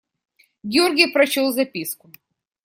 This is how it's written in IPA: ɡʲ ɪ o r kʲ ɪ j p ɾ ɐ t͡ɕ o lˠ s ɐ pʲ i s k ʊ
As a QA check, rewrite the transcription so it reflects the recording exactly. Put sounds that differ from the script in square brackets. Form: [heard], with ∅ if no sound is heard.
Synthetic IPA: ɡʲ ɪ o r [ɡʲ] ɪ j p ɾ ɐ t͡ɕ o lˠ [z] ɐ pʲ i s k ʊ